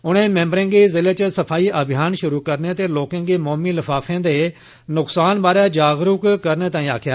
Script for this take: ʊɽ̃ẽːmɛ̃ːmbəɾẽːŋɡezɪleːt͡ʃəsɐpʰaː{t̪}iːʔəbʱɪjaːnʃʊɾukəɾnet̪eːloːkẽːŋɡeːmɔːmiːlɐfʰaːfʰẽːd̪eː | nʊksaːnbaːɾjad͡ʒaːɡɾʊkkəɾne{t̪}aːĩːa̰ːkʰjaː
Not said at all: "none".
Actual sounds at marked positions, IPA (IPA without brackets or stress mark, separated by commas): none, t̪